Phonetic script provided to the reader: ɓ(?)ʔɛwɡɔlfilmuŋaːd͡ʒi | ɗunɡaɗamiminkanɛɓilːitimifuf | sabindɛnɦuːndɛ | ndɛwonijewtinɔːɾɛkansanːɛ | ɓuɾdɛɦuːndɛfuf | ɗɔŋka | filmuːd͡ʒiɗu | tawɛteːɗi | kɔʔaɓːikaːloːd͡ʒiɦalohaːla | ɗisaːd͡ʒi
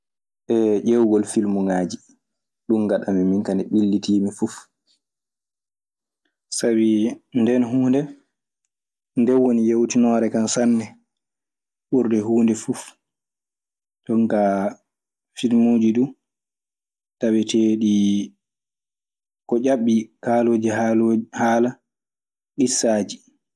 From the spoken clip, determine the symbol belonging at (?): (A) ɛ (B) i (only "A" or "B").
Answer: A